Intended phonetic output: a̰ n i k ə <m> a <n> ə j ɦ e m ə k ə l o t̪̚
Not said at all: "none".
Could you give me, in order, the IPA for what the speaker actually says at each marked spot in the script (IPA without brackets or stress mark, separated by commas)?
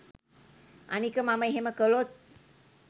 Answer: m, m